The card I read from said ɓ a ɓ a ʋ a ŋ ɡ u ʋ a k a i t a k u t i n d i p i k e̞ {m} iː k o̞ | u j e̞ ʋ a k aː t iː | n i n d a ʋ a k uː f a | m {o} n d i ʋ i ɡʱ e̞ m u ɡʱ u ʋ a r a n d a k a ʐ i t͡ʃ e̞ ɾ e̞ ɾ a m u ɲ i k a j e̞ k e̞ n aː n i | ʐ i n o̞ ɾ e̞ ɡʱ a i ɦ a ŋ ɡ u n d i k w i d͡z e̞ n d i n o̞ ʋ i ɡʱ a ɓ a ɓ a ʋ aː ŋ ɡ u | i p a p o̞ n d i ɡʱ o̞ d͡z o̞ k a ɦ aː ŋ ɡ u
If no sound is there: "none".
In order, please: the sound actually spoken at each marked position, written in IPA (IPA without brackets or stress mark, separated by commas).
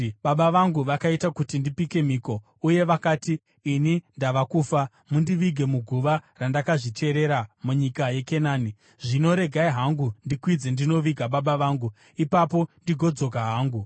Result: m, u